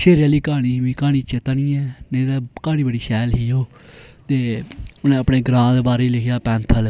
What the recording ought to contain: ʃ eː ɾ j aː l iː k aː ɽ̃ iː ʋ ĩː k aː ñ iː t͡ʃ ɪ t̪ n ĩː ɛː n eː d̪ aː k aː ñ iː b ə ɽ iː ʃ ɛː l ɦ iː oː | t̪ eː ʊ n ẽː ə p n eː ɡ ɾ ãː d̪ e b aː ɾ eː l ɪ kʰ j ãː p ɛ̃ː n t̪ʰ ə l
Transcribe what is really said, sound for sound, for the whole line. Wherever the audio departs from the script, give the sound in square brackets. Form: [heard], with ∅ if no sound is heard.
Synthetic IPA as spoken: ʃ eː ɾ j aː l iː k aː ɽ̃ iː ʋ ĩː k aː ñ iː t͡ʃ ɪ t̪ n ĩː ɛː n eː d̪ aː k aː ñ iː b ə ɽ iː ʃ ɛː l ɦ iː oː | t̪ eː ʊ n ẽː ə p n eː ɡ ɾ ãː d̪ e b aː ɾ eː l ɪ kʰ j [aː] p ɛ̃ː n t̪ʰ ə l